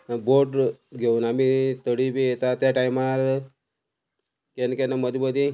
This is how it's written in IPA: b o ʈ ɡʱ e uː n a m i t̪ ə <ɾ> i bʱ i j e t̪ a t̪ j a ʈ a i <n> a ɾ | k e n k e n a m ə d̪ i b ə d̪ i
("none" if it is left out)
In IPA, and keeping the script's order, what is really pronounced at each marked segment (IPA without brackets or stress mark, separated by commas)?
ɽ, m